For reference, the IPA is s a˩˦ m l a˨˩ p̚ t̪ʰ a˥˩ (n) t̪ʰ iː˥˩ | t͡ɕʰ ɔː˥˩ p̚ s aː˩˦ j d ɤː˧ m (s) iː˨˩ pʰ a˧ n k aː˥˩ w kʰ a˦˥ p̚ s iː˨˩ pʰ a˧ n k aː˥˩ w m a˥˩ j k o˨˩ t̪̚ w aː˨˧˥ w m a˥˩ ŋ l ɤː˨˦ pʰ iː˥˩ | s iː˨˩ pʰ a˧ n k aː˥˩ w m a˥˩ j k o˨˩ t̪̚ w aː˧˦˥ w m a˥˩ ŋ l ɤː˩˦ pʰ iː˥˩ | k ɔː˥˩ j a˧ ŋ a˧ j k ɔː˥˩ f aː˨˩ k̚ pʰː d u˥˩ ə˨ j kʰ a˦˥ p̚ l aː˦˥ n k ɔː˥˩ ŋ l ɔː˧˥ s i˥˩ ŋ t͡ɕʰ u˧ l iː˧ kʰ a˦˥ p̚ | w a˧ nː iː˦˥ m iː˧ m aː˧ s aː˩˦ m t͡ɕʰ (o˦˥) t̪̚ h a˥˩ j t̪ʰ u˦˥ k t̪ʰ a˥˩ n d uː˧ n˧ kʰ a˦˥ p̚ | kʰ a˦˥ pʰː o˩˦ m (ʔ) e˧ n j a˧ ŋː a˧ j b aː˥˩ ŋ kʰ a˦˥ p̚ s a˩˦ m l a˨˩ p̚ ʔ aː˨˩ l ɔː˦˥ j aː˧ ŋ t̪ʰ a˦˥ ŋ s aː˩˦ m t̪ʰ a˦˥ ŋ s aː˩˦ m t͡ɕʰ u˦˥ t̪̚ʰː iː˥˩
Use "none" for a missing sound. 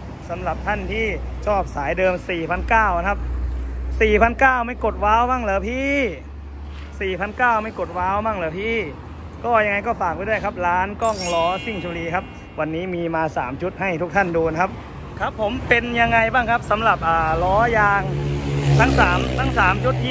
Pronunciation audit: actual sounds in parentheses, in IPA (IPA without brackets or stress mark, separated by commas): n, s, u˦˥, p